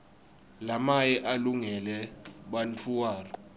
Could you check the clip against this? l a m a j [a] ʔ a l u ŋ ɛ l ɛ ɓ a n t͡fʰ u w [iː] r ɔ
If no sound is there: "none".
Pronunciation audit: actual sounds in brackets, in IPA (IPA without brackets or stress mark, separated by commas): ɛ, aː